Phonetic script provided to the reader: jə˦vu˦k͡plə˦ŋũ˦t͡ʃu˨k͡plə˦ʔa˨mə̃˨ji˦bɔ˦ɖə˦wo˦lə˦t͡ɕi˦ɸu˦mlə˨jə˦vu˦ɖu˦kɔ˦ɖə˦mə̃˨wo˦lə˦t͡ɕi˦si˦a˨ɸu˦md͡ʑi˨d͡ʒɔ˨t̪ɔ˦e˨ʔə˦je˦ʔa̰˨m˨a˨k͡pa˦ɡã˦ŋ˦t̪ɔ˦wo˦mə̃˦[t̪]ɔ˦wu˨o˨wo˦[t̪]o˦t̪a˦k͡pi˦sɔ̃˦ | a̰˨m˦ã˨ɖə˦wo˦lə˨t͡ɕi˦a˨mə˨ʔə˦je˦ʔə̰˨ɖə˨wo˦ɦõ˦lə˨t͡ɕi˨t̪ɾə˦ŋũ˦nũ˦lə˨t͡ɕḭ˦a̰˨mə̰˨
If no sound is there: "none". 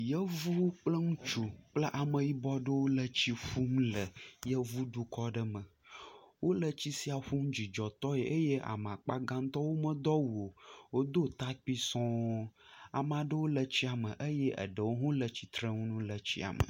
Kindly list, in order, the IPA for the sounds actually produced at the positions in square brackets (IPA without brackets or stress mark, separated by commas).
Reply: d̪, d̪